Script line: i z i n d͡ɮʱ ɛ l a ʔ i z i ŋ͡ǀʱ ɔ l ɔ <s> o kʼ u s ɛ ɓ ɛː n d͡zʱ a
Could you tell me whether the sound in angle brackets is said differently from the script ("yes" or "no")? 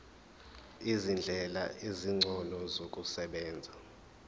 yes